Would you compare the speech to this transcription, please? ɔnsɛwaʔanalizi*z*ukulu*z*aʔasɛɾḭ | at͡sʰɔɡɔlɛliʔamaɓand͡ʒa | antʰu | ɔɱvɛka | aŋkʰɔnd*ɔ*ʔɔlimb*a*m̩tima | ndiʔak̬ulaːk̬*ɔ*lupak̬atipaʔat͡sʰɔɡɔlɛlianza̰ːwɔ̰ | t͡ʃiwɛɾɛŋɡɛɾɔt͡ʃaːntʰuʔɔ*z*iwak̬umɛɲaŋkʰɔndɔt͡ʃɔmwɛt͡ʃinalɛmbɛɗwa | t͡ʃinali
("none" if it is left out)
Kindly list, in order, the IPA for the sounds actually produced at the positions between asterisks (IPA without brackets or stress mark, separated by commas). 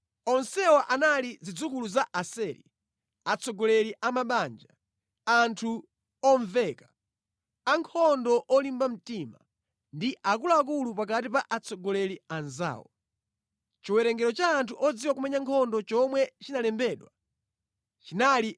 d͡z, z, ɔ, a, u, d͡z